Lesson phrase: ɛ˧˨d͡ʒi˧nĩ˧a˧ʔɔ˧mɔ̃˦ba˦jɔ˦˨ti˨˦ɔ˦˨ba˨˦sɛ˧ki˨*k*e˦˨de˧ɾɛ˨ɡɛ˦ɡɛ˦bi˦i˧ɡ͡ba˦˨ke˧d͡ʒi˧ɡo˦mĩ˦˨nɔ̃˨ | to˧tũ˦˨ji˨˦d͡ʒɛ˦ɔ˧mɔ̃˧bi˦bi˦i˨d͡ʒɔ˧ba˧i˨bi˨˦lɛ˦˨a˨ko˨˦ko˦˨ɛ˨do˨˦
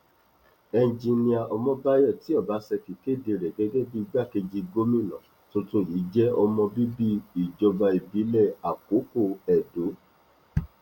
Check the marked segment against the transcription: correct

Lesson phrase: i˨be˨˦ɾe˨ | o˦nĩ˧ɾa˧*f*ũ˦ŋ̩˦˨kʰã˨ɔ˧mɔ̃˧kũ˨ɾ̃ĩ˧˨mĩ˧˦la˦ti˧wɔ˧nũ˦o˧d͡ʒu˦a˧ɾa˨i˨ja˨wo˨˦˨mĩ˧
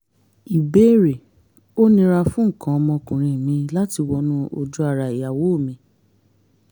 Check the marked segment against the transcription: correct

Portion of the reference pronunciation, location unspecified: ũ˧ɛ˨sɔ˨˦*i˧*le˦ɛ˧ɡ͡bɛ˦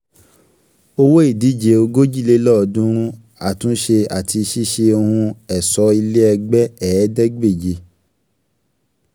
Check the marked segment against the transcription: correct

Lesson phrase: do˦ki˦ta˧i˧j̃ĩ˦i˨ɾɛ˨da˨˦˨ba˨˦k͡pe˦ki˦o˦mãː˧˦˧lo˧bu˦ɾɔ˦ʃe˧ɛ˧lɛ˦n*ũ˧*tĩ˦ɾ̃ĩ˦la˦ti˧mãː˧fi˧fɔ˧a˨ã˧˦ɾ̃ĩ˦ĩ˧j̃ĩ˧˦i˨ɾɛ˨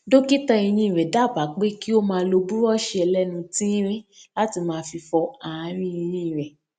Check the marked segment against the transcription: correct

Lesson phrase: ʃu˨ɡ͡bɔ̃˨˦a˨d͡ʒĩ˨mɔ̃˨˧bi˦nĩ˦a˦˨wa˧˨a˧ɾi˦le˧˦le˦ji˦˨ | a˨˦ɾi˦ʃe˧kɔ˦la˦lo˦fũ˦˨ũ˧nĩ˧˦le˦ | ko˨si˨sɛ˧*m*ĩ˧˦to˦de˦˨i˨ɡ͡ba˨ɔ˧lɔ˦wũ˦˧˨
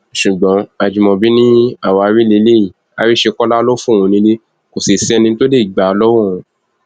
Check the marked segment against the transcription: incorrect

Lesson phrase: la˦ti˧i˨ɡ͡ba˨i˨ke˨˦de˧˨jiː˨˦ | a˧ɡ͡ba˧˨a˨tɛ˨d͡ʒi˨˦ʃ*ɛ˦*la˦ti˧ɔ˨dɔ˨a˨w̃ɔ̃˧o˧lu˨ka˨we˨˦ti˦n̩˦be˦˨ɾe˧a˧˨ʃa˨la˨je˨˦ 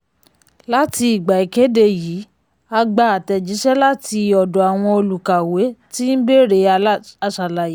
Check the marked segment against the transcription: correct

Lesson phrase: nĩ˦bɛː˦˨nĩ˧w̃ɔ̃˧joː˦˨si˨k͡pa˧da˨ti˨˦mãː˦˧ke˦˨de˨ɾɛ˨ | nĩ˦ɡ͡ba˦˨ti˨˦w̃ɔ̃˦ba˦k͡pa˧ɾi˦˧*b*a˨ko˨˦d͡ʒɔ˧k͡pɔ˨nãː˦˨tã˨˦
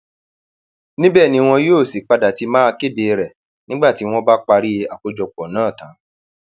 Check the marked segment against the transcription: incorrect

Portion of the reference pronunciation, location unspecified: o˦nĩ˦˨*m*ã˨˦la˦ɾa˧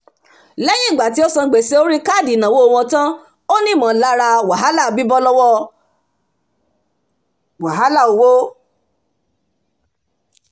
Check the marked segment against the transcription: correct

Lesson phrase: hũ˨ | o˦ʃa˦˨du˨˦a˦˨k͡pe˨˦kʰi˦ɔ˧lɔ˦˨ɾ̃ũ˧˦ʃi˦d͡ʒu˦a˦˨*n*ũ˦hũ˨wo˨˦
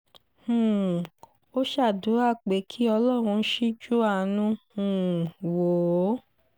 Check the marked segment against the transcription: correct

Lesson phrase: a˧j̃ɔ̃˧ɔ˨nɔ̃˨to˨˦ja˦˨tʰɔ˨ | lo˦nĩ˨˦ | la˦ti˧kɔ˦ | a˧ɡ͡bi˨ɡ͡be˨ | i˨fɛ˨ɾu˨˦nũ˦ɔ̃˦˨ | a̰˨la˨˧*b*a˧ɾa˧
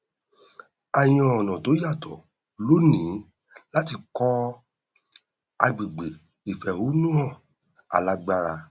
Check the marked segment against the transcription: incorrect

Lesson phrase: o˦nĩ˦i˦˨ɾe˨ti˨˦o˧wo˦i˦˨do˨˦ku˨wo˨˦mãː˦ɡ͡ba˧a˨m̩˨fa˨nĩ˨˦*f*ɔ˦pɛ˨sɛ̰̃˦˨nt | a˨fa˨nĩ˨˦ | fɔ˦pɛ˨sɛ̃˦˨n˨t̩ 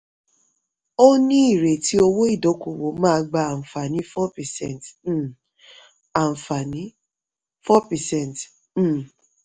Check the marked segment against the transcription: correct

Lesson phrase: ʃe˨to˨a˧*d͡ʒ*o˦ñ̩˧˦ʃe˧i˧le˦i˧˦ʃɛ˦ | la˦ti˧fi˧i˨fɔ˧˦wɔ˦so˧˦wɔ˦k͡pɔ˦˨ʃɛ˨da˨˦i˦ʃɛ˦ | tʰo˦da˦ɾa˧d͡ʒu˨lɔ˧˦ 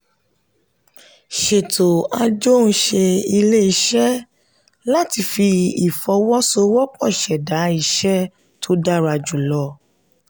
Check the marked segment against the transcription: correct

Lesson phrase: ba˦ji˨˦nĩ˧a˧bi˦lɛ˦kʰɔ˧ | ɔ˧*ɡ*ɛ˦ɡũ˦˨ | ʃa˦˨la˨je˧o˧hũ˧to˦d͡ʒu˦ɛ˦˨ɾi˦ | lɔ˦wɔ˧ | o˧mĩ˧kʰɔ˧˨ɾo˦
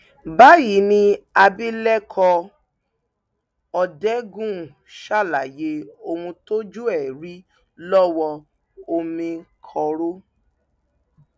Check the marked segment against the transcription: incorrect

